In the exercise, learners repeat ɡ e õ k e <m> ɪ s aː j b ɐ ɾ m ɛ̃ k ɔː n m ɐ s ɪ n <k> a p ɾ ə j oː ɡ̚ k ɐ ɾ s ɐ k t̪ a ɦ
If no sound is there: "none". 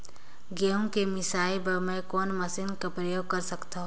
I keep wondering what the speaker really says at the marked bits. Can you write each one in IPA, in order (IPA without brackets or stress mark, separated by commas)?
m, k